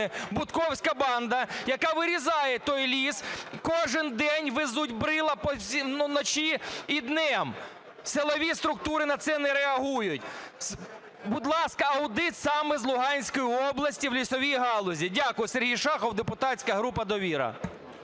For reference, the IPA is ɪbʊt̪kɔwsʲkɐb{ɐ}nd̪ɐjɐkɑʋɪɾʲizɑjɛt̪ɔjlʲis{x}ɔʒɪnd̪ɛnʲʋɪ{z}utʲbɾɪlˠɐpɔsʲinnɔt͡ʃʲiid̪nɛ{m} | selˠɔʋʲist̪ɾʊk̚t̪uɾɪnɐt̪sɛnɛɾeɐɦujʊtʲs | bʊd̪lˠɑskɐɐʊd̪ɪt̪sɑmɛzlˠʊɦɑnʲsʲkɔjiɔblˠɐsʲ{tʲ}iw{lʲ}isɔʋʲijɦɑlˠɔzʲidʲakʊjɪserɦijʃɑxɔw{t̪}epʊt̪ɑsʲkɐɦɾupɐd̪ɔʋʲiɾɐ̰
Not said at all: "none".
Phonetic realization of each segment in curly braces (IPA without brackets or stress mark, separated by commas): ɑ, k, z, m, tʲ, lʲ, d̪